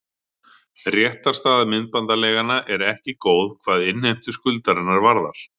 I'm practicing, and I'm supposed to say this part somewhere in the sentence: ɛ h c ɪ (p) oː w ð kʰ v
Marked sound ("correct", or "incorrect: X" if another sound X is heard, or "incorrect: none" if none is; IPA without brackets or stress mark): incorrect: k